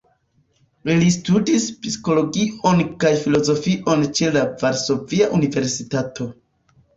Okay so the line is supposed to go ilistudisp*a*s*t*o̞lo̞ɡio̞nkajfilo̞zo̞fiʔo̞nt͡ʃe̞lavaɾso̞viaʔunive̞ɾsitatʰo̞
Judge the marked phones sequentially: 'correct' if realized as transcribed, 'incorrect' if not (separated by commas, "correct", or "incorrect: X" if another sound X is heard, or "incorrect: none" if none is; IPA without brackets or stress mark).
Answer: incorrect: i, incorrect: k